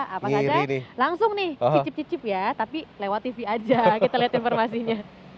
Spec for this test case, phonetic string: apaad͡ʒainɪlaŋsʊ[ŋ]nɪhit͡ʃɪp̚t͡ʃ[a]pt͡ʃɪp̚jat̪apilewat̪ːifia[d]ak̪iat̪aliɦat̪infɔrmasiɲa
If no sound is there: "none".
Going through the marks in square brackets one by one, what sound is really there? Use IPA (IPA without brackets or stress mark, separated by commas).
ŋ, i, d͡ʒ